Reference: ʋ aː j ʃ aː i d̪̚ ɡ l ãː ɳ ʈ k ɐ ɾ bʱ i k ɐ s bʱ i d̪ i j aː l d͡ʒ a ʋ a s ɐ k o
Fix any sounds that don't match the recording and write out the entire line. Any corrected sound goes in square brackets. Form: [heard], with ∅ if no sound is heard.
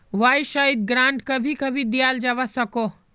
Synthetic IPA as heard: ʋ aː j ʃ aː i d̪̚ ɡ [ɾ] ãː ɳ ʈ k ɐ [∅] bʱ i k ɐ [∅] bʱ i d̪ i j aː l d͡ʒ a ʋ a s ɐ k o